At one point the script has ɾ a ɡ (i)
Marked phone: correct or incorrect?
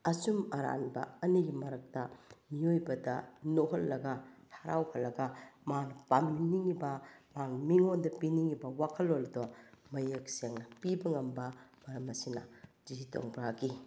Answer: correct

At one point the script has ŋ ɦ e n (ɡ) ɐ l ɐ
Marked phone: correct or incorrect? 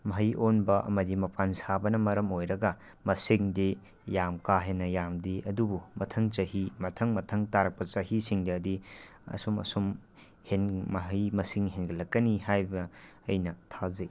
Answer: correct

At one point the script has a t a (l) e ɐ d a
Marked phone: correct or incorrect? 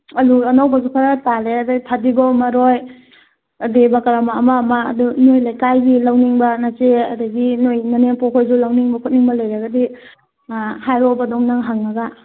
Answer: correct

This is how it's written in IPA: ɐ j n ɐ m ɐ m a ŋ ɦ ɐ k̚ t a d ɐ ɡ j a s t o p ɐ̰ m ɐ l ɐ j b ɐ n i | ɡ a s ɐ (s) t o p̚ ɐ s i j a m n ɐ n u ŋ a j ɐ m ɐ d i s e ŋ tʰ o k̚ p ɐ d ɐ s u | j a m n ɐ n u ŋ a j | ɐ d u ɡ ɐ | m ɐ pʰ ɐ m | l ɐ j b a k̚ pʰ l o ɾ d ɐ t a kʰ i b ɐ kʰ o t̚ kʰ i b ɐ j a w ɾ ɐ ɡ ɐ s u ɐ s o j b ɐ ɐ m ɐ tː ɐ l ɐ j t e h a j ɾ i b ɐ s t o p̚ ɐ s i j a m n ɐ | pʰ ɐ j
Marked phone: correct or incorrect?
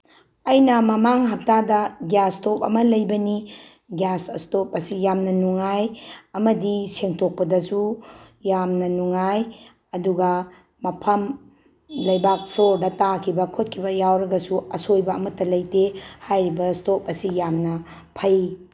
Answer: correct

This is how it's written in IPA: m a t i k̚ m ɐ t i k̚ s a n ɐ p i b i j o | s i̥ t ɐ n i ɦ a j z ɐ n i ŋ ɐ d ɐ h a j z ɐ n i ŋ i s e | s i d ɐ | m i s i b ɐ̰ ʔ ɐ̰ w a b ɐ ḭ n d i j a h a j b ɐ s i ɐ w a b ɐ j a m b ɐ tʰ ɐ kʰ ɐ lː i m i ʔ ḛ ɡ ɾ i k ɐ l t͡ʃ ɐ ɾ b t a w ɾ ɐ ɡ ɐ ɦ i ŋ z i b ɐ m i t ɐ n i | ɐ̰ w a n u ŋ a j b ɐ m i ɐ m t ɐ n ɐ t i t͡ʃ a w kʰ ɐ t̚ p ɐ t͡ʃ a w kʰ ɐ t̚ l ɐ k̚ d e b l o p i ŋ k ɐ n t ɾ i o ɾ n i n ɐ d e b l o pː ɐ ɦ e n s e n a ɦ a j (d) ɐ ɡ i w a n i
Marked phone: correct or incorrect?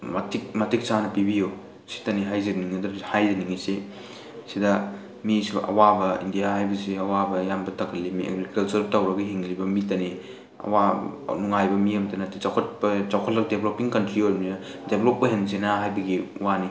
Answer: incorrect: b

